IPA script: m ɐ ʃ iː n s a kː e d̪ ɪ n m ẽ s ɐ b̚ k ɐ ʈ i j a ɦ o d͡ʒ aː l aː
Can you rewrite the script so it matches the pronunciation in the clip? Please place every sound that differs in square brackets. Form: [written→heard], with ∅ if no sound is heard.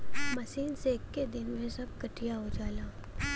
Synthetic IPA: m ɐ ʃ iː n s [a→e] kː e d̪ ɪ n m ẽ s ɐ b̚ k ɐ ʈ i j a ɦ o d͡ʒ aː l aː